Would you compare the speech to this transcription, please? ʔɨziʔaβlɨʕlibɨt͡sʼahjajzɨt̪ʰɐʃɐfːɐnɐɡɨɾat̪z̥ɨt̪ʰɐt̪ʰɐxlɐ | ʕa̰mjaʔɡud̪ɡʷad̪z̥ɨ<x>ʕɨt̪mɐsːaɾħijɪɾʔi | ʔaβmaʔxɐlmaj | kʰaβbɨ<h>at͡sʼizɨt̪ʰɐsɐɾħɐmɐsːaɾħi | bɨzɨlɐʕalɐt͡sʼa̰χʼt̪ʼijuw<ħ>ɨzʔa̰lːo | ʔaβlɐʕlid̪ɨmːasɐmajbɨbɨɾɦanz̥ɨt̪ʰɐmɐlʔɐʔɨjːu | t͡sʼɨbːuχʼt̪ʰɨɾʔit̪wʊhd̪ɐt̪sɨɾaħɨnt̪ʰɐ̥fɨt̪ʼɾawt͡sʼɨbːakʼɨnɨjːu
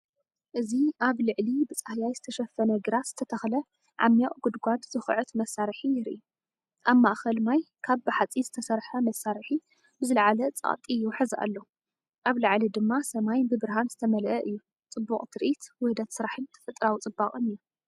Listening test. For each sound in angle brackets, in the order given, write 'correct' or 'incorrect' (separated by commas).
correct, incorrect, correct